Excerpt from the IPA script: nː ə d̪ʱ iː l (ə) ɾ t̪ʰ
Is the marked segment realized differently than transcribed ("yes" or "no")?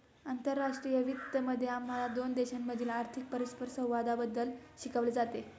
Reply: yes